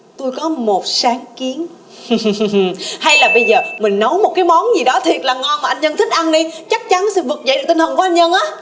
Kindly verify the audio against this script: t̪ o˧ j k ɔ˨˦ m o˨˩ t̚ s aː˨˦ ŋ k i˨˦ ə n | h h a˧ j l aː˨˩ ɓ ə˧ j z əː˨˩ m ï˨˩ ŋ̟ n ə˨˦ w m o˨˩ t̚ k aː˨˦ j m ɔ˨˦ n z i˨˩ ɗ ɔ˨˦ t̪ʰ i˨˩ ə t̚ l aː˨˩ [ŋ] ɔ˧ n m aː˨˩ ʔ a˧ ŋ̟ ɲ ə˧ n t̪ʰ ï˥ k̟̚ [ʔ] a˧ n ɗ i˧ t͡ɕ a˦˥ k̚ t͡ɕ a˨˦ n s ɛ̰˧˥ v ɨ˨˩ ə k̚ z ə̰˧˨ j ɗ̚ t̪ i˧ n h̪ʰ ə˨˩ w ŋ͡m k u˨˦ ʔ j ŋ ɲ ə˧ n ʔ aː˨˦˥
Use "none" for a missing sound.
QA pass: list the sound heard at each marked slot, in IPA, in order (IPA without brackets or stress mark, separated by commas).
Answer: ŋ, ʔ